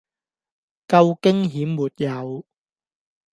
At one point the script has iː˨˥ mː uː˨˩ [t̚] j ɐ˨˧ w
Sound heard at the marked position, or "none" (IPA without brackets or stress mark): t̚